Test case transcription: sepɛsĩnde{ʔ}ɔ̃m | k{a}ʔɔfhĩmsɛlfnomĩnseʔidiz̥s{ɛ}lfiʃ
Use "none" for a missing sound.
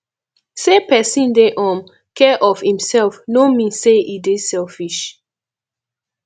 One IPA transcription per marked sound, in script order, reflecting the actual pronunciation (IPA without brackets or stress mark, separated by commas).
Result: ʔ, ɛ, ɛ